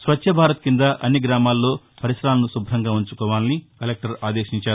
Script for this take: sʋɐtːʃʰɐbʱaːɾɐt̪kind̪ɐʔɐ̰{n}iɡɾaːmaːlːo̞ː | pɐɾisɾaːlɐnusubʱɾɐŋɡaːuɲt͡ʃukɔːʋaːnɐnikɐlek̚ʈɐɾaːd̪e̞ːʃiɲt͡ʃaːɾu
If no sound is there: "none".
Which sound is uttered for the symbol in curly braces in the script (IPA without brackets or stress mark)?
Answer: nː